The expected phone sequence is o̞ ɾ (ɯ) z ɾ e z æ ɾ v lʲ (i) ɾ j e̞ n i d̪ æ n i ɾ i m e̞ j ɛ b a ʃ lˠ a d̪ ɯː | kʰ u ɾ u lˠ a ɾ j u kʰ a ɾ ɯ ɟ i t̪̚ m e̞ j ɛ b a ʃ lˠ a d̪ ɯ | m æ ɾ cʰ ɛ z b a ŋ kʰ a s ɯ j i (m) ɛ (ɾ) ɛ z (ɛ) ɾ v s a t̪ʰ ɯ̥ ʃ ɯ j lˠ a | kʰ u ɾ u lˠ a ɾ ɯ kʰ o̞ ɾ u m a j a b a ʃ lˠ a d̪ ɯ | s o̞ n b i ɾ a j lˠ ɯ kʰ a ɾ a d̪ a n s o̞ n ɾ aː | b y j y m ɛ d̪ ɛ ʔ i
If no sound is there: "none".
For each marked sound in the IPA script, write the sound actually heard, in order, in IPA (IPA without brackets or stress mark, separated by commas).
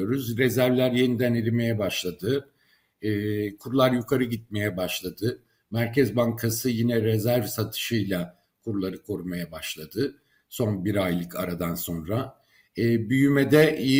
u, æ, n, ɾ, æ